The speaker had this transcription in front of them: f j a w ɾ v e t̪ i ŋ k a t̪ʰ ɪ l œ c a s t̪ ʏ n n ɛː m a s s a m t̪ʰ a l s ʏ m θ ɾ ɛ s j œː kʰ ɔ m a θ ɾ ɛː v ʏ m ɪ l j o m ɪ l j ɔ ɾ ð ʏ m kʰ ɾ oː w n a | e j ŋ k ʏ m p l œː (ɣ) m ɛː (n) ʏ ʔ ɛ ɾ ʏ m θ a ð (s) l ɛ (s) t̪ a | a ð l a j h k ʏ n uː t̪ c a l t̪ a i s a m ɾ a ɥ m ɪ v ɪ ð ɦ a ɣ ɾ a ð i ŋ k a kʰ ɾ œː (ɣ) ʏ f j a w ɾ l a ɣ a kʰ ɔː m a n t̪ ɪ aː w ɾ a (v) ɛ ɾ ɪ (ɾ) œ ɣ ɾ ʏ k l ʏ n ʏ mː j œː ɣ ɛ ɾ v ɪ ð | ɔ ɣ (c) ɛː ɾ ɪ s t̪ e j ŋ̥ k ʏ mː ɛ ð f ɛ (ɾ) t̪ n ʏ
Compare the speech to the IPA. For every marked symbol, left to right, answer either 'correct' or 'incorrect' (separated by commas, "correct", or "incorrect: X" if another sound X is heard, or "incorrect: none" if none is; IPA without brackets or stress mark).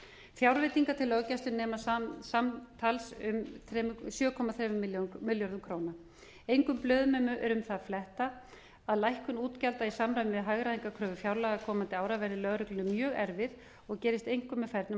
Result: incorrect: ð, incorrect: m, incorrect: f, incorrect: h, incorrect: v, correct, incorrect: l, correct, correct